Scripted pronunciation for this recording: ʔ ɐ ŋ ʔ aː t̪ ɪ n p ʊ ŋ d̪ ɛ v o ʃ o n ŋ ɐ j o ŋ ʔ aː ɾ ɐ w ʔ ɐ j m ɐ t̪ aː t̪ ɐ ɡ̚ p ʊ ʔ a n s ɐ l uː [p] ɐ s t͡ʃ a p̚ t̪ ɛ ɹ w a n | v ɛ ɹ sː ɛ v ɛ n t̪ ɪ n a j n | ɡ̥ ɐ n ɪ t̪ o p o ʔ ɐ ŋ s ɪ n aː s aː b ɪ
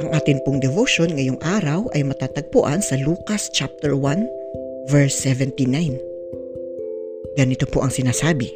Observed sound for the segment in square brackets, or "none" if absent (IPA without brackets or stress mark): k